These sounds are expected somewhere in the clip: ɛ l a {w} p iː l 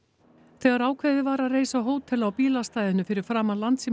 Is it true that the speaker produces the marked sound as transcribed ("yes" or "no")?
yes